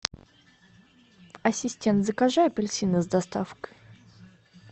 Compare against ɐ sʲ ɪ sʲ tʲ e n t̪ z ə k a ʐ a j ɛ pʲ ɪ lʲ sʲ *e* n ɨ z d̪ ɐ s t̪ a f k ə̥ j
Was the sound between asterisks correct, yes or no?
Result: no